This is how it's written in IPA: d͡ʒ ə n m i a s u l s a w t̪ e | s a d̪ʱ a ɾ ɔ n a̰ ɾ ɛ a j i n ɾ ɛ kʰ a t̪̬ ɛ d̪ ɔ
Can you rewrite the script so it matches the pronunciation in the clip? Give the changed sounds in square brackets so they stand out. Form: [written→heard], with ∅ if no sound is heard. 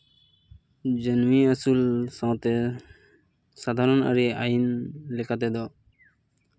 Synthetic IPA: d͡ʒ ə n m i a s u l s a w t̪ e | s a d̪ʱ a ɾ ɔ n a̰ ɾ [ɛ→i] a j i n [ɾ→l] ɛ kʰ a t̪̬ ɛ d̪ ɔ